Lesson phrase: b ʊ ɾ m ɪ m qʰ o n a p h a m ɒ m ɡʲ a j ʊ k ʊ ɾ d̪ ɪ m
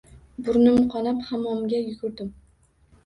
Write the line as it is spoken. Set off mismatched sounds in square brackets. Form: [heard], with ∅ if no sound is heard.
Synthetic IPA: b ʊ ɾ [n] ɪ m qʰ [ɒ] n a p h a m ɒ m ɡʲ a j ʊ [ɡ] ʊ ɾ d̪ ɪ m